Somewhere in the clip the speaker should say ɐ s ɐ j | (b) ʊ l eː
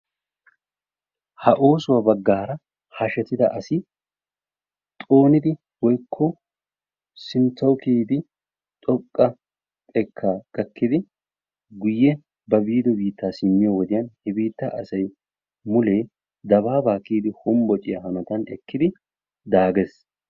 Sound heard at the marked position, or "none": m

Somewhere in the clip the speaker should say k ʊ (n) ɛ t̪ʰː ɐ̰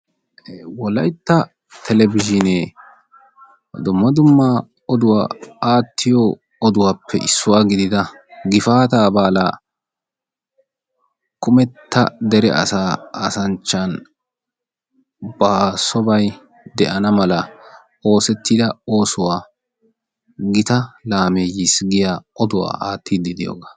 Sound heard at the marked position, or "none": m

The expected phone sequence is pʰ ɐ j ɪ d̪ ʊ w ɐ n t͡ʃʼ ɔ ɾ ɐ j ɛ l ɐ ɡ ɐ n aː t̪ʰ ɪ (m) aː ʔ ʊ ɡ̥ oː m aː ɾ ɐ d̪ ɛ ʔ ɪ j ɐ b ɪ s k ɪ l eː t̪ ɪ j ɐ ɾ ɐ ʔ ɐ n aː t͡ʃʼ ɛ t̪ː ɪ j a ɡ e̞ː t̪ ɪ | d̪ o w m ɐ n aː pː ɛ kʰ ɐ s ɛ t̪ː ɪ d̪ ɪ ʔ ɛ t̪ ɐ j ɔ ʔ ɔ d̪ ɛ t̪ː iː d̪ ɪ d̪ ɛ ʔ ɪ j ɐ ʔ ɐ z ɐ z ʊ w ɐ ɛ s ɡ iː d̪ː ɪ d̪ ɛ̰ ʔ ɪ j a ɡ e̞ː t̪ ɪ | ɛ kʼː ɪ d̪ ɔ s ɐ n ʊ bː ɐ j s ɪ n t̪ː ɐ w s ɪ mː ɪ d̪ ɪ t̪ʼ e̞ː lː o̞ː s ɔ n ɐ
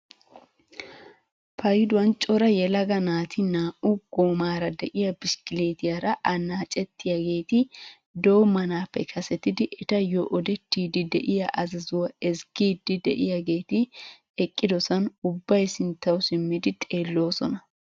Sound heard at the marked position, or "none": n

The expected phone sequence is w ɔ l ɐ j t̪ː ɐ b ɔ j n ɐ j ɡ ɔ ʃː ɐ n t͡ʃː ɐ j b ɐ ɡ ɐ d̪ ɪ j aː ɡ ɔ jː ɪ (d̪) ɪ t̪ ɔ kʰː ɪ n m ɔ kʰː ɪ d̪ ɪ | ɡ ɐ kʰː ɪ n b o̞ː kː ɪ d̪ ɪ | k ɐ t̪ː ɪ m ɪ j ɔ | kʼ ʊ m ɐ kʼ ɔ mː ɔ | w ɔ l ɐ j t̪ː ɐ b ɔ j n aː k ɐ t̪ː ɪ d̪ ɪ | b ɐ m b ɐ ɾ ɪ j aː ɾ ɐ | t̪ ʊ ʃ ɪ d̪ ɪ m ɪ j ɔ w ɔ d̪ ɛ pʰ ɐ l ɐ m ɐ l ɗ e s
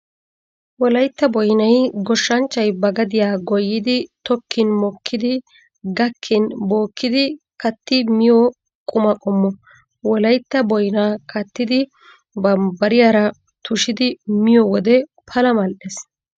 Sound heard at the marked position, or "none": d̪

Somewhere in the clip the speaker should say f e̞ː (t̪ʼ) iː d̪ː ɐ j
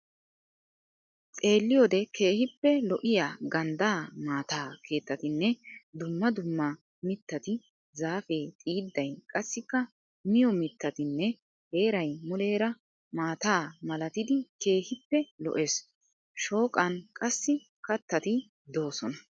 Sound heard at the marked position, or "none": t̪ʼ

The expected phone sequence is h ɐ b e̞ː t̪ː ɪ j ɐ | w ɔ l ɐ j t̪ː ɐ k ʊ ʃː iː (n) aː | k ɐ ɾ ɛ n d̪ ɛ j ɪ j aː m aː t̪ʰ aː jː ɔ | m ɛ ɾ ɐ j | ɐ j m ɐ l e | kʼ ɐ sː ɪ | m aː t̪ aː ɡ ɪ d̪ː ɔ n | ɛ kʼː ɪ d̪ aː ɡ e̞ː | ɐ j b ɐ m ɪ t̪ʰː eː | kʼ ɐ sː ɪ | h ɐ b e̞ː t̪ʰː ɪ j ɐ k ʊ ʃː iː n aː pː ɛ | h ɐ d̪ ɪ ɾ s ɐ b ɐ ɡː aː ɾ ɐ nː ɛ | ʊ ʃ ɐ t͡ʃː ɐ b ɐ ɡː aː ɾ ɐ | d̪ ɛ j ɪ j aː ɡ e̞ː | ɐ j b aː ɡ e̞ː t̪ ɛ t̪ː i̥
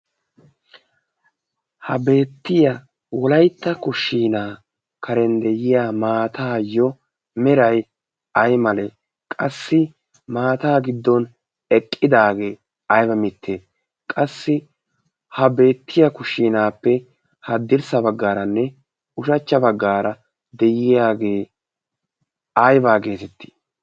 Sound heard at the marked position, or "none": n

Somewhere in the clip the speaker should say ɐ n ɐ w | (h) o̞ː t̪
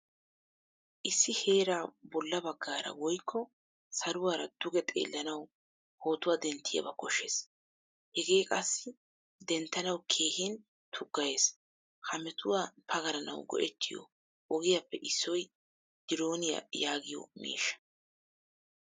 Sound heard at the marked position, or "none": h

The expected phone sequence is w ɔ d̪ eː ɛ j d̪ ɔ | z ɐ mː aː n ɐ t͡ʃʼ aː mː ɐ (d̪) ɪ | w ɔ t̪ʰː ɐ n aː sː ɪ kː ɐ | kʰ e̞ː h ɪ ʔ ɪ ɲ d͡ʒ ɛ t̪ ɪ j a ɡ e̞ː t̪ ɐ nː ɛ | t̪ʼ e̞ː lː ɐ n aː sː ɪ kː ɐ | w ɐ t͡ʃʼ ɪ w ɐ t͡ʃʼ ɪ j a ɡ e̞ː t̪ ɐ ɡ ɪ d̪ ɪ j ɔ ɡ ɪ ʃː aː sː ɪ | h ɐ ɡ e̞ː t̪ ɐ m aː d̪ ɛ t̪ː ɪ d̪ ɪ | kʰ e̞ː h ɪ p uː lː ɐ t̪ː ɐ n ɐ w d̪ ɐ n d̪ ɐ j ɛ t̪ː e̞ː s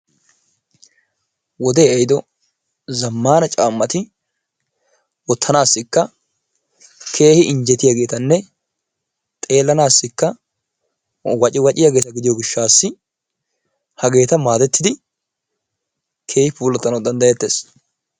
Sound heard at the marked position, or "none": t̪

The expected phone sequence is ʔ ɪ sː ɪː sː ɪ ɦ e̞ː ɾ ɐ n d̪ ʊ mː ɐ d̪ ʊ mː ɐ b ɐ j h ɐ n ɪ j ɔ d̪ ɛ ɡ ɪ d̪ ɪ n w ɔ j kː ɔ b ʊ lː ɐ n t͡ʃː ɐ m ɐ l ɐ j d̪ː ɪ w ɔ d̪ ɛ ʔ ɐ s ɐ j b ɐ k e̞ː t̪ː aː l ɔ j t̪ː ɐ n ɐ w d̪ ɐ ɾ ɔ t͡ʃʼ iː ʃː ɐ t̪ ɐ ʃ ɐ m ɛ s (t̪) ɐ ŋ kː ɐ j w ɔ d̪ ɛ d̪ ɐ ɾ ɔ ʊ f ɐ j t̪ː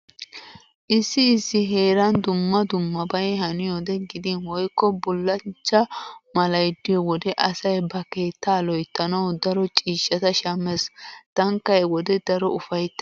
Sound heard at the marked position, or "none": t̪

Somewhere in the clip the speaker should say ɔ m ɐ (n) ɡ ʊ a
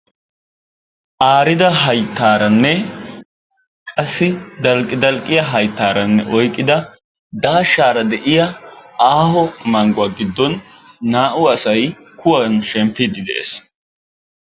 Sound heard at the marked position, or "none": ŋ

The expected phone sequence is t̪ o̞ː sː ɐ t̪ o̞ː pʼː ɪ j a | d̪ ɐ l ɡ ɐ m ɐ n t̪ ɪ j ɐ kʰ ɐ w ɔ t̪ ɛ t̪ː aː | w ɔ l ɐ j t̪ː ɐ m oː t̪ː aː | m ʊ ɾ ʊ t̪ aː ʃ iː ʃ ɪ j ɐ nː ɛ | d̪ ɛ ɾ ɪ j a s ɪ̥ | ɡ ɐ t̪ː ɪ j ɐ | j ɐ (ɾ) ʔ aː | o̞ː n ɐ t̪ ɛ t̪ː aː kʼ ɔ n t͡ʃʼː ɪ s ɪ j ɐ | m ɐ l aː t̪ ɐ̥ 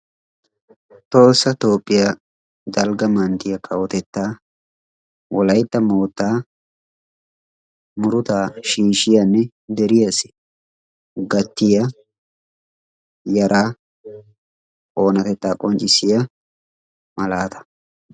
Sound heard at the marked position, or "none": ɾ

